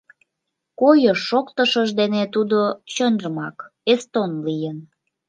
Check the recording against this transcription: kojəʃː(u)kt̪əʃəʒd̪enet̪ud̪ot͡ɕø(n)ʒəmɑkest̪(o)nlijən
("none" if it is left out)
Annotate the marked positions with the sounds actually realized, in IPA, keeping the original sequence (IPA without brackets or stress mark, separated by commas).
o, n, o